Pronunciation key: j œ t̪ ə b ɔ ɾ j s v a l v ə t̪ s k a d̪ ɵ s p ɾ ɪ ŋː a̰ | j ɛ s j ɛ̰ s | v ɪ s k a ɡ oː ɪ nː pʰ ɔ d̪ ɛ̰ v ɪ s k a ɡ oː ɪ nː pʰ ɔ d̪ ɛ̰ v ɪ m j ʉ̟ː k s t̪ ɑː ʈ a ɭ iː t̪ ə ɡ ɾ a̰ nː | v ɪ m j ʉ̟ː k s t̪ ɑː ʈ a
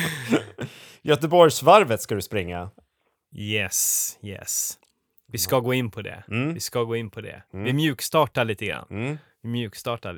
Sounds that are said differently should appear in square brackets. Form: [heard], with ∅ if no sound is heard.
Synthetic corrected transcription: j œ t̪ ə b ɔ ɾ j s v a [ɾ] v ə t̪ s k a d̪ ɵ s p ɾ ɪ ŋː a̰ | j ɛ s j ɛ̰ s | v ɪ s k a ɡ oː ɪ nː pʰ ɔ d̪ ɛ̰ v ɪ s k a ɡ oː ɪ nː pʰ ɔ d̪ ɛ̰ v ɪ m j ʉ̟ː k s t̪ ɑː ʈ a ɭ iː t̪ ə ɡ ɾ a̰ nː | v ɪ m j ʉ̟ː k s t̪ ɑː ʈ a